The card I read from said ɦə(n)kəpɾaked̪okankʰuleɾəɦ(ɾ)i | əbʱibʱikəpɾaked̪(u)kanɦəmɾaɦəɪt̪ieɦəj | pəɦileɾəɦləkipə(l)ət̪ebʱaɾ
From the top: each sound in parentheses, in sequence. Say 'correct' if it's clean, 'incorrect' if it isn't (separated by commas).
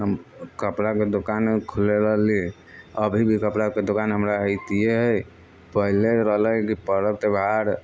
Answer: incorrect, incorrect, incorrect, incorrect